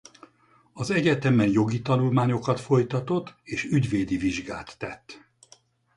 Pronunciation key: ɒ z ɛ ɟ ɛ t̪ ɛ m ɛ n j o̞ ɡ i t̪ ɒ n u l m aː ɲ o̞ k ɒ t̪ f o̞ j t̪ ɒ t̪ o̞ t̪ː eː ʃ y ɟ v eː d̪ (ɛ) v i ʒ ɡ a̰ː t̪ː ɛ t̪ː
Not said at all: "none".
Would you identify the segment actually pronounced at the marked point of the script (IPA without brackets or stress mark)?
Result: i